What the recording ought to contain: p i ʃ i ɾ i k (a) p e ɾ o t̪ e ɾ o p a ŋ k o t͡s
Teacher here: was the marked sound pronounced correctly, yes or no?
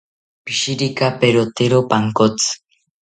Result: yes